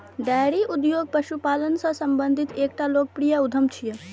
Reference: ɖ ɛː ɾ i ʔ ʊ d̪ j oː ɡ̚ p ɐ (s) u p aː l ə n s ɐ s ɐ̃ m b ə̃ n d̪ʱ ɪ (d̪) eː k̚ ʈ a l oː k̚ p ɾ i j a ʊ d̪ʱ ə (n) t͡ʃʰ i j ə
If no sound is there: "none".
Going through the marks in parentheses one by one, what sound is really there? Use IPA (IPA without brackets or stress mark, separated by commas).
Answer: ʃ, t̪, m